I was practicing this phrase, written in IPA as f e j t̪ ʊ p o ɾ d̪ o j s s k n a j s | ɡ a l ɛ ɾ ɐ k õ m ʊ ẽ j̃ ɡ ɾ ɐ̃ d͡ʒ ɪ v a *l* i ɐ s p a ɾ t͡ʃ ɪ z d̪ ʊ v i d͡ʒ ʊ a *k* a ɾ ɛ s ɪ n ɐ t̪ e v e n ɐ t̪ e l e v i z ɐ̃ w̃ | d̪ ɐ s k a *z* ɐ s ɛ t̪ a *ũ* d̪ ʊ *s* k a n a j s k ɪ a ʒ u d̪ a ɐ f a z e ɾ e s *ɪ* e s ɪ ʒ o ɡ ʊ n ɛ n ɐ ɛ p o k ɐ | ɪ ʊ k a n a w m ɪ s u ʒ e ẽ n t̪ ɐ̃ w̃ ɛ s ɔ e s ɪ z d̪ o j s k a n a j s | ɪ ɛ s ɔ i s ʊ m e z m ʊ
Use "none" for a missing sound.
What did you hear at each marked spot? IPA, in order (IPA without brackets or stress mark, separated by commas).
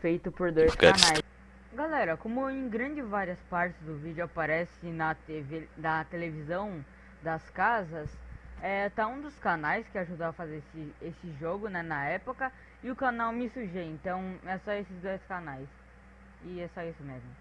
ɾ, p, z, ũ, s, ɪ